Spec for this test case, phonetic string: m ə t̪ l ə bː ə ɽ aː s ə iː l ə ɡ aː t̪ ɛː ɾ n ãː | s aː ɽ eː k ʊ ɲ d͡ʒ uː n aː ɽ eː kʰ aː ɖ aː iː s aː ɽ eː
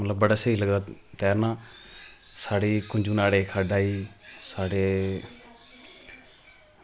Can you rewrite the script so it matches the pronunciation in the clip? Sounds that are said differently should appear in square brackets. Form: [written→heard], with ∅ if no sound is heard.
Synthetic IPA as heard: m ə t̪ l ə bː ə ɽ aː s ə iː l ə ɡ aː t̪ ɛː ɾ n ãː | s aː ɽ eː k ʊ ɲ d͡ʒ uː n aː ɽ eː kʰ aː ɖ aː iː s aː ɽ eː